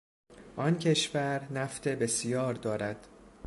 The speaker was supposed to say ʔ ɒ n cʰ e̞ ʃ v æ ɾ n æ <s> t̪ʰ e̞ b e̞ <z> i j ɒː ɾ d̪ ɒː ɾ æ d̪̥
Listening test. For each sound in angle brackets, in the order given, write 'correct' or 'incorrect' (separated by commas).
incorrect, incorrect